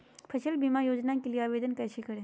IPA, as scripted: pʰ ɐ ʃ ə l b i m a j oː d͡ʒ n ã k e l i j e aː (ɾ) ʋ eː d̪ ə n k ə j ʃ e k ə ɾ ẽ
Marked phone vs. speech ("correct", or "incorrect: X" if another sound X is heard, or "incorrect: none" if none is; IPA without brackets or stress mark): incorrect: none